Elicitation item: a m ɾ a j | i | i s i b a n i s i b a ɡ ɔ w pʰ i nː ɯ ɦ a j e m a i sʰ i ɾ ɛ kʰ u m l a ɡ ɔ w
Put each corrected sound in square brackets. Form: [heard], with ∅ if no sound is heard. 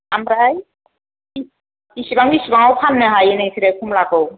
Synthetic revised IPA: a m ɾ a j | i | i s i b a [ŋ] i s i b a [ŋ] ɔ w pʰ [a] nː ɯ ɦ a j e [n] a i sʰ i ɾ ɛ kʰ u m l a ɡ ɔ w